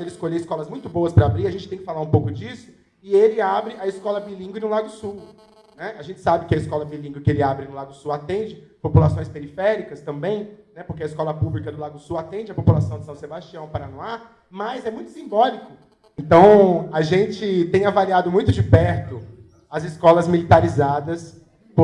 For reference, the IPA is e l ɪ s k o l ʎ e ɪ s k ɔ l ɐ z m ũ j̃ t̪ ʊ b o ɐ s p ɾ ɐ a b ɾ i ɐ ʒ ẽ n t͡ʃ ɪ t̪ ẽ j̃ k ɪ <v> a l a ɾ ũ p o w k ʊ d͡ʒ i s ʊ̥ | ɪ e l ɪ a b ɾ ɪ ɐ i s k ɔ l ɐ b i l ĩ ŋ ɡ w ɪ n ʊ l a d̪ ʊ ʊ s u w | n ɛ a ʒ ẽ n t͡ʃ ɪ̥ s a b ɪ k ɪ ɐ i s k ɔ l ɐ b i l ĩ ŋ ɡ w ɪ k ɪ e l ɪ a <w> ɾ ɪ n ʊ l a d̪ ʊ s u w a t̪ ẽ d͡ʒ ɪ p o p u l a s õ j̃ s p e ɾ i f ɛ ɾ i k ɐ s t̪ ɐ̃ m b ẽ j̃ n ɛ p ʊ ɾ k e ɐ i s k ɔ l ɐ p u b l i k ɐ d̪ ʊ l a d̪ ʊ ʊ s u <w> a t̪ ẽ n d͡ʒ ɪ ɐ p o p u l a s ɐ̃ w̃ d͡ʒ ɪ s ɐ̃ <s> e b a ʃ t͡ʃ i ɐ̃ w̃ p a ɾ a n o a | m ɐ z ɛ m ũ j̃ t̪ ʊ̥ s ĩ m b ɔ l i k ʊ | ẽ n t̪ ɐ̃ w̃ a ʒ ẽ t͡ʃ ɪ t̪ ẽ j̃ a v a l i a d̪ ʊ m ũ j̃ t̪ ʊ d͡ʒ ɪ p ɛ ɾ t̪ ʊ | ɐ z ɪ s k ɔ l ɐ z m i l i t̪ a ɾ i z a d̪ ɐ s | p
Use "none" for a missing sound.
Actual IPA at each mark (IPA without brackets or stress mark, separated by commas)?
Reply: f, b, w, s